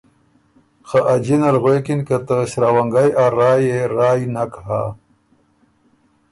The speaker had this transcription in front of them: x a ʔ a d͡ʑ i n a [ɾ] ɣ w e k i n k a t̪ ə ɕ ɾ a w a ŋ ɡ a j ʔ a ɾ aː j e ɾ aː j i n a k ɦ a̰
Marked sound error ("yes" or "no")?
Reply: yes